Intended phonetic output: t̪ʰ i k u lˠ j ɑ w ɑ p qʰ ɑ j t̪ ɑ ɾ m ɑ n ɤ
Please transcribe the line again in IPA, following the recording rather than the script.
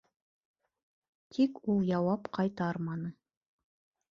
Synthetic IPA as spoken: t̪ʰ i k u lˠ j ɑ w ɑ p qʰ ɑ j t̪ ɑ ɾ m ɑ n ɤ